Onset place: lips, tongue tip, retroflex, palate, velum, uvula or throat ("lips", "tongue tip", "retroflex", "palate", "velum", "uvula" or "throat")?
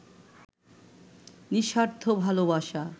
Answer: tongue tip